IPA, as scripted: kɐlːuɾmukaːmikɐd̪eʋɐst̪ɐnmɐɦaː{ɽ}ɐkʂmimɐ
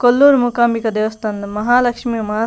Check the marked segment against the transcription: incorrect: l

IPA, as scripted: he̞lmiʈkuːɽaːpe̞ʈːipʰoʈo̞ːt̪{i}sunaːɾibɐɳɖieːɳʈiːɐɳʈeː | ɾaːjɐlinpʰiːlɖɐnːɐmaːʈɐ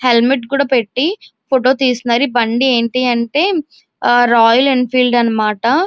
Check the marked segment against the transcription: incorrect: iː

